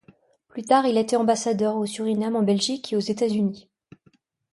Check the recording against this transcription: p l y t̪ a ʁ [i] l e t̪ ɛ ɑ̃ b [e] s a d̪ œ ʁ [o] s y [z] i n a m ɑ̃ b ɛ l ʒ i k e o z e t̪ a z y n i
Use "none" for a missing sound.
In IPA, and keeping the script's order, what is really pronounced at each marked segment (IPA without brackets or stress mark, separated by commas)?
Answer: i, a, o, ʁ